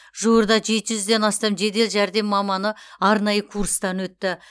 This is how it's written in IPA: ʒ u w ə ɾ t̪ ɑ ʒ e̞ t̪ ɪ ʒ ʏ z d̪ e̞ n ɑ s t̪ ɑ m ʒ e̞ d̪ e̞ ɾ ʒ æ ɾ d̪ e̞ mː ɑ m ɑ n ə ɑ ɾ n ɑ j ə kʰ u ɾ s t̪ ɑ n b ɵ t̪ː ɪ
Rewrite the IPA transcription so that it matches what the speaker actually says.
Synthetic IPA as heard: ʒ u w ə ɾ d̪ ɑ ʒ e̞ t̪ ɪ ʒ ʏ z d̪ e̞ n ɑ s t̪ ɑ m ʒ e̞ d̪ e̞ l ʒ æ ɾ d̪ e̞ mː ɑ m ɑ n ə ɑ ɾ n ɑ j ə kʰ u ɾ s t̪ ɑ n w ɵ t̪ː ɪ

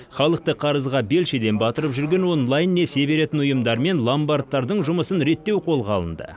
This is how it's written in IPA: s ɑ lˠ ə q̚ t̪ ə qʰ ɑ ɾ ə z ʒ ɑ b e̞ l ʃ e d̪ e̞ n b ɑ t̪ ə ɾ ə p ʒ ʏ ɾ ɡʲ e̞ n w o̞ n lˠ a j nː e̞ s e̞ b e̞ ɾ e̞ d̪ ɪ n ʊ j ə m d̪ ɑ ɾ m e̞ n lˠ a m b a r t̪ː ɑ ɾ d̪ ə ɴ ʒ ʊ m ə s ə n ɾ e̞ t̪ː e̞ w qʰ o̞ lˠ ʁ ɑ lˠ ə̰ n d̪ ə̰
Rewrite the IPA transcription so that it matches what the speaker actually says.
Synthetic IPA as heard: χ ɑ lˠ ə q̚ t̪ ə qʰ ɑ ɾ ə z ʁ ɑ b e̞ l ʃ e d̪ e̞ n b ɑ t̪ ə ɾ ə p ʒ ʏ ɾ ɡʲ e̞ n w o̞ n lˠ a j nː e̞ s e̞ b e̞ ɾ e̞ t̪ ɪ n ʊ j ə m d̪ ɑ ɾ m e̞ n lˠ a m b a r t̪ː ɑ ɾ d̪ ə ɴ ʒ ʊ m ə s ə n ɾ e̞ t̪ː e̞ w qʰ o̞ lˠ ʁ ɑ lˠ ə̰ n d̪ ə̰

